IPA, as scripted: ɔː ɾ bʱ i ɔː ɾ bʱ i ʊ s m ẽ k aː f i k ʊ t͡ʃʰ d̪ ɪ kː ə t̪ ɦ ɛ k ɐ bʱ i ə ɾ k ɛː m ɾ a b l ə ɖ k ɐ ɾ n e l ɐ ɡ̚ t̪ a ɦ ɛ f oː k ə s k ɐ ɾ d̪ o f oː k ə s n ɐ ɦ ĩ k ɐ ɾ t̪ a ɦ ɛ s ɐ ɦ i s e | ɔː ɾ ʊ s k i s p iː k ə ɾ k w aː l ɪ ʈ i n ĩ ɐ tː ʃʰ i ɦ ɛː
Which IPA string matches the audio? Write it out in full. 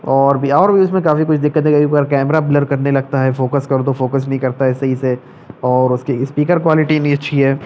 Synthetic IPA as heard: ɔː ɾ bʱ i ɔː ɾ bʱ i ʊ s m ẽ k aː f i k ʊ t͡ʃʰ d̪ ɪ kː ə t̪ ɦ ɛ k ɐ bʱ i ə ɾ k ɛː m ɾ a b l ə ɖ k ɐ ɾ n e l ɐ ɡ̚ t̪ a ɦ ɛ f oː k ə s k ɐ ɾ d̪ o f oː k ə s n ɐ ɦ ĩ k ɐ ɾ t̪ a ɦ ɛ s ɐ ɦ i s e | ɔː ɾ ʊ s k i s p iː k ə ɾ k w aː l ɪ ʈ i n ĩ ɐ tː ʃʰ i ɦ ɛː